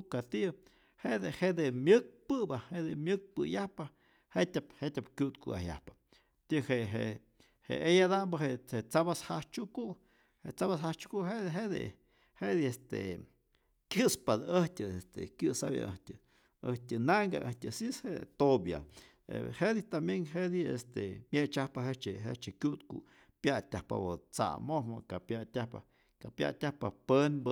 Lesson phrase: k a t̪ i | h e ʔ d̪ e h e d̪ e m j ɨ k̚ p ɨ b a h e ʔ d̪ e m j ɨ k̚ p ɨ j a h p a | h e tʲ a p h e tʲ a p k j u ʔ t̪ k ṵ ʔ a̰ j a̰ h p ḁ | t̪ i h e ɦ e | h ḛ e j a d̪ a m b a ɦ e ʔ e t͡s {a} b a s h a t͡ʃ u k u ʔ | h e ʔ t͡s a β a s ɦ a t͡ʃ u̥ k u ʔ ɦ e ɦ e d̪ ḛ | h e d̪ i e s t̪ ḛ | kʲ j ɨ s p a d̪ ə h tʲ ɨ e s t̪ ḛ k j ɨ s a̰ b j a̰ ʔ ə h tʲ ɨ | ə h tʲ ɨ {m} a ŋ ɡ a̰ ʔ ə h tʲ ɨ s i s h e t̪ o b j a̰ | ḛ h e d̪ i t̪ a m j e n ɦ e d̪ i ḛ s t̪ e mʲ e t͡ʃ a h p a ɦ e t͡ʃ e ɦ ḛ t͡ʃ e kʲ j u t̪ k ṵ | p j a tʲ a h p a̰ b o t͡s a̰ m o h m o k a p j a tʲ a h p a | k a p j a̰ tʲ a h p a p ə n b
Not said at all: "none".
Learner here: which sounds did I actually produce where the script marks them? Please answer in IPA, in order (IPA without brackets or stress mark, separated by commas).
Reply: a, n